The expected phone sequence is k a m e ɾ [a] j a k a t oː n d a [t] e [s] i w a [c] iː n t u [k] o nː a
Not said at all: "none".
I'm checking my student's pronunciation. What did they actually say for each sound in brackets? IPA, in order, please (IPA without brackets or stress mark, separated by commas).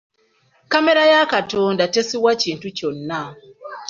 a, t, s, c, c